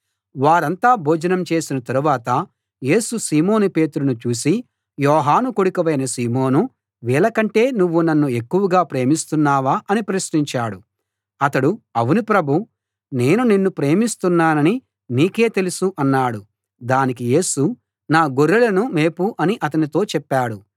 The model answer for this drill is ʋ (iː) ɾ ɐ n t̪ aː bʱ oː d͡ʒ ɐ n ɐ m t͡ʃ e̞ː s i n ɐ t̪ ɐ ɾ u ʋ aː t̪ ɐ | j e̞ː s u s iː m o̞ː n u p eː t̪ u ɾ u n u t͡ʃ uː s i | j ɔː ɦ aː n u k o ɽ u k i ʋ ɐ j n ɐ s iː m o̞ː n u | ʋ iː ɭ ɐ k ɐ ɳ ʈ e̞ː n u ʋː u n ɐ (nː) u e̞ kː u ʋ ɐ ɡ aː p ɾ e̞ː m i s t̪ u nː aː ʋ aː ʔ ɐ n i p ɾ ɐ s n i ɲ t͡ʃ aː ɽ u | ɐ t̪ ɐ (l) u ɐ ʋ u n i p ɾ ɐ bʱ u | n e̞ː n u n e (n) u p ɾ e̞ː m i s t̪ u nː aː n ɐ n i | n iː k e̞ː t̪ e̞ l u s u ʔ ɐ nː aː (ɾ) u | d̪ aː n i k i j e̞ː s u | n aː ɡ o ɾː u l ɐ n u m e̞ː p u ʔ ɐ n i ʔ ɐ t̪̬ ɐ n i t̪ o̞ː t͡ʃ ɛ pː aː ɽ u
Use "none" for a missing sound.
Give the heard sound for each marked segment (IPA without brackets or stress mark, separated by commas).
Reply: aː, nː, ɽ, nː, ɽ